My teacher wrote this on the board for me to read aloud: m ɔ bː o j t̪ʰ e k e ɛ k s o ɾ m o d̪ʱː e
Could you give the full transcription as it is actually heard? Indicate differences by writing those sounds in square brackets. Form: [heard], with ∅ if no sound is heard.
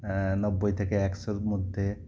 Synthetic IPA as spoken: [n] ɔ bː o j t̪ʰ e k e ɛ k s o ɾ m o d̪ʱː e